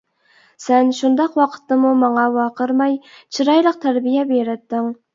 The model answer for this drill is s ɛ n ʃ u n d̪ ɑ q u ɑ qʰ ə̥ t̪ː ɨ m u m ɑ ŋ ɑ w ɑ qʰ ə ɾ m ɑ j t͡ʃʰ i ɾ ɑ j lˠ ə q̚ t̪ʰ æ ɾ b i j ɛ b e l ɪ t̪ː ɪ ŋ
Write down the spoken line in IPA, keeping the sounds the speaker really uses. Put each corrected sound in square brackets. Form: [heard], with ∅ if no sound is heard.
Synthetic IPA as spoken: s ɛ n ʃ u n d̪ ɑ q [w] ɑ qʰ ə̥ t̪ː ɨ m u m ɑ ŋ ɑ w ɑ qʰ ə ɾ m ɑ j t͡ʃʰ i ɾ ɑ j lˠ ə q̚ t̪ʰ æ ɾ b i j ɛ b e [ɾ] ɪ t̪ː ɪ ŋ